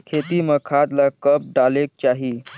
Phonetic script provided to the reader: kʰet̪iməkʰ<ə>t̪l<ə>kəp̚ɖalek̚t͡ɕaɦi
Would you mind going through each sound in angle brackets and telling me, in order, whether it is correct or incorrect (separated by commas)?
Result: incorrect, incorrect